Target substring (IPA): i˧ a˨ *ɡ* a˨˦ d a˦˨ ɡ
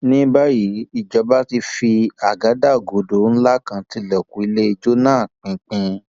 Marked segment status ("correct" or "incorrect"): correct